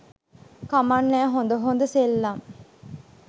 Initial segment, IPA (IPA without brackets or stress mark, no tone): k